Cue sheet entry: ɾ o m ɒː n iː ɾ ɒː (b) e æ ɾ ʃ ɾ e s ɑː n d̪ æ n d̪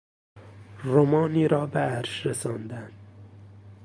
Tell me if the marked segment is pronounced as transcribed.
yes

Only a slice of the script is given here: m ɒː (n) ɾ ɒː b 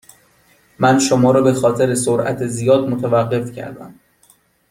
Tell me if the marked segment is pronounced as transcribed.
no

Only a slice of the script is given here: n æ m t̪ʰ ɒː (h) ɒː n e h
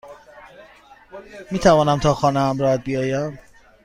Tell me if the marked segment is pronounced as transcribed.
no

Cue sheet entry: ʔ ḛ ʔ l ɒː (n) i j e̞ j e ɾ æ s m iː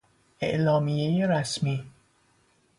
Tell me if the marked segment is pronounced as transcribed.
no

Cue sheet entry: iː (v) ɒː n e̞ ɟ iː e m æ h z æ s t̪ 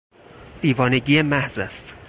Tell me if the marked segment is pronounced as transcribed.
yes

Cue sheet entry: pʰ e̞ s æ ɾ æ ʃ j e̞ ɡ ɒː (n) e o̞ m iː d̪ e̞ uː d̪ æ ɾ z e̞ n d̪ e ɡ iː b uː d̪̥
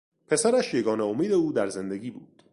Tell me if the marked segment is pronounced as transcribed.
yes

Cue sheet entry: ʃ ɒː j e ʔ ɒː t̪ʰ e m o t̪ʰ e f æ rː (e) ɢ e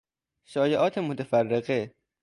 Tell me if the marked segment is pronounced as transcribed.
yes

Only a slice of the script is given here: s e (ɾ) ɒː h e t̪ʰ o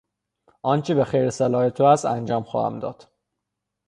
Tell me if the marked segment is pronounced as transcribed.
no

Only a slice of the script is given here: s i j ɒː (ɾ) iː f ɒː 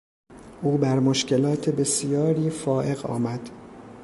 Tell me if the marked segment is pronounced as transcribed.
yes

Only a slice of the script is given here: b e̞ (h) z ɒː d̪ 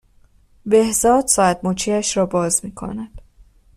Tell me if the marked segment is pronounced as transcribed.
yes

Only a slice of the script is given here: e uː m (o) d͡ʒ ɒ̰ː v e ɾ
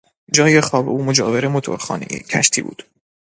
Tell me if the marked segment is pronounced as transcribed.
yes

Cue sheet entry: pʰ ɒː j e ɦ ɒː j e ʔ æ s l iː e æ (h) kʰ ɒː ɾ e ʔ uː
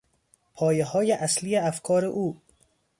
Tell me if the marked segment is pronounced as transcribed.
no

